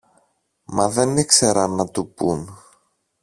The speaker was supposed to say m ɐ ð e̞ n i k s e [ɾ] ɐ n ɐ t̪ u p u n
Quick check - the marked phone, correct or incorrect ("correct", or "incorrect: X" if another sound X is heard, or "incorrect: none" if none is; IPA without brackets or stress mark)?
correct